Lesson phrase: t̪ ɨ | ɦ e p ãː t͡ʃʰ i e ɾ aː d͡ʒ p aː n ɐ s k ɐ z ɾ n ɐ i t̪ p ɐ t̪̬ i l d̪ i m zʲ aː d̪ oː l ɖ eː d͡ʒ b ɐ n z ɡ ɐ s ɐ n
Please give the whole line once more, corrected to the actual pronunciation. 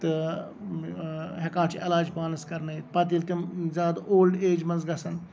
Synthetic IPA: t̪ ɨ | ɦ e k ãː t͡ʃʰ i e l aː d͡ʒ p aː n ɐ s k ɐ ɾ n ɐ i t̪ p ɐ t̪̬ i l t̪ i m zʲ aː d̪ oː l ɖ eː d͡ʒ m ɐ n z ɡ ɐ s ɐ n